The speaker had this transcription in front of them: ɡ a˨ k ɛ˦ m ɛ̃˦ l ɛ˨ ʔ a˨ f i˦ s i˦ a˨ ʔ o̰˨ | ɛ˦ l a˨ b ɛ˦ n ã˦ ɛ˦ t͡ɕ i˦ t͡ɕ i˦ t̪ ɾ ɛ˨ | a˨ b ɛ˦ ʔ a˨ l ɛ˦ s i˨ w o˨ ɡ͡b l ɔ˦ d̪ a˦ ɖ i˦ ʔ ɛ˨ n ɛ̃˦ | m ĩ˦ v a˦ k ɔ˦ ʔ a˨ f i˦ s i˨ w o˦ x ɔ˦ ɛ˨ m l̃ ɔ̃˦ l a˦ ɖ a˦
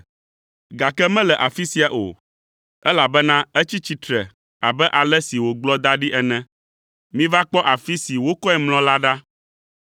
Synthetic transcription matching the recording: ɡ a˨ k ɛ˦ m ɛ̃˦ l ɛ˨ ʔ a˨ f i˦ s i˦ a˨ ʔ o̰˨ | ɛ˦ l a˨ b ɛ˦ n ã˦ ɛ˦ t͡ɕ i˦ t͡ɕ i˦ t̪ ɾ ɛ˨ | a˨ b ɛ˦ ʔ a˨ l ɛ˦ s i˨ w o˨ ɡ͡b l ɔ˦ d̪ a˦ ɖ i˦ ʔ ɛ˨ n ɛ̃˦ | m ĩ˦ v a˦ k͡p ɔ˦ ʔ a˨ f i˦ s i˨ w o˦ k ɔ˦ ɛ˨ m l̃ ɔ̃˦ l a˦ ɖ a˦